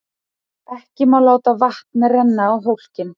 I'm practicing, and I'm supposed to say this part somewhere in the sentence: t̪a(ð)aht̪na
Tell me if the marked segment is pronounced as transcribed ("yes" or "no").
no